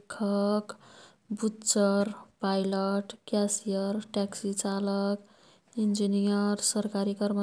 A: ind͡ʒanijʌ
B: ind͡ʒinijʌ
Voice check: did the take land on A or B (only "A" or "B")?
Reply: B